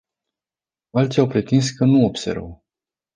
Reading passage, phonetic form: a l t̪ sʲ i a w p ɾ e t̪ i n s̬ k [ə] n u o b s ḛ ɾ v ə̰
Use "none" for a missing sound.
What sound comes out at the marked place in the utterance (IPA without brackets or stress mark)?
ə